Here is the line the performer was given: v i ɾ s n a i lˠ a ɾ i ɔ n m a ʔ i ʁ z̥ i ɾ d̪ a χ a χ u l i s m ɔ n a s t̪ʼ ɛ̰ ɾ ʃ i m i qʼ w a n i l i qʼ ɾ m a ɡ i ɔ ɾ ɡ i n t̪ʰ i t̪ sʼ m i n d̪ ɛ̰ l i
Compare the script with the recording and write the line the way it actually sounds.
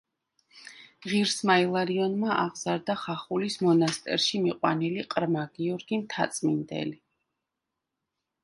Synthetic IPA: ʁ i ɾ s m a i lˠ a ɾ i ɔ n m a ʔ a ʁ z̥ a ɾ d̪ a χ a χ u l i s m ɔ n a s t̪ʼ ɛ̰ ɾ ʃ i m i qʼ w a n i l i qʼ ɾ m a ɡ i ɔ ɾ ɡ i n t̪ʰ a t̪ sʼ m i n d̪ ɛ̰ l i